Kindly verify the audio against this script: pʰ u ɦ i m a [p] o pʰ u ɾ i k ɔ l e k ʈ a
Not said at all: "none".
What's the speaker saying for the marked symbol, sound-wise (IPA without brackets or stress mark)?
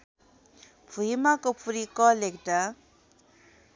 k